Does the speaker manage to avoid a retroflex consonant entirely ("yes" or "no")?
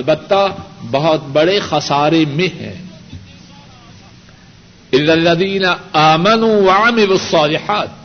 no